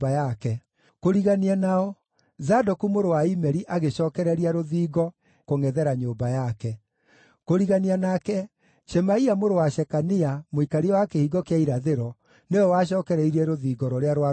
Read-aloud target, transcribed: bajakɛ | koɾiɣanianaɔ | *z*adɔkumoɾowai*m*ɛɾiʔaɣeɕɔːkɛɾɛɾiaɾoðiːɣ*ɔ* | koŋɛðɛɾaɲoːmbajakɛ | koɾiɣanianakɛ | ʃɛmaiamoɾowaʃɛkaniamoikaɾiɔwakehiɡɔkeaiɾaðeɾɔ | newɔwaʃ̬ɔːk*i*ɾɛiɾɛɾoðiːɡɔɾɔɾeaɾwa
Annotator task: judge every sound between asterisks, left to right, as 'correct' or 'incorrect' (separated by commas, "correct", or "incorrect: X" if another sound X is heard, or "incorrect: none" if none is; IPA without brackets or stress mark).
correct, correct, correct, incorrect: ɛ